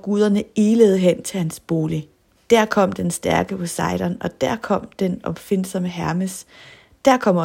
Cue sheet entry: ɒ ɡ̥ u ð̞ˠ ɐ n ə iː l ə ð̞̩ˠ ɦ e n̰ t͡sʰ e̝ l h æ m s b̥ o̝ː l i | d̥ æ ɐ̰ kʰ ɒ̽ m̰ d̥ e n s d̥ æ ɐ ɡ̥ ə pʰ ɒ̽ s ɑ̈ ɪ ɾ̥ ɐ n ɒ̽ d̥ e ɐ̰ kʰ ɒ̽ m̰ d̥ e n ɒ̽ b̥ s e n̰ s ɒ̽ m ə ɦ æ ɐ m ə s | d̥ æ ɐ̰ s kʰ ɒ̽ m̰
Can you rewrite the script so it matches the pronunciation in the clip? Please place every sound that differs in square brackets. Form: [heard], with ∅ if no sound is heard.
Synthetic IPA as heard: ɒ ɡ̥ u ð̞ˠ ɐ n ə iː l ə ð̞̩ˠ ɦ e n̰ t͡sʰ e̝ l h æ [n] s b̥ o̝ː l i | d̥ æ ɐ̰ kʰ ɒ̽ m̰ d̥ e n s d̥ æ ɐ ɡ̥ ə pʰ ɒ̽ s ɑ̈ ɪ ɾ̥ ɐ n ɒ̽ d̥ [æ] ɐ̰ kʰ ɒ̽ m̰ d̥ e n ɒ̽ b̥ [f] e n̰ s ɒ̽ m ə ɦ æ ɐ m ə s | d̥ æ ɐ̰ [∅] kʰ ɒ̽ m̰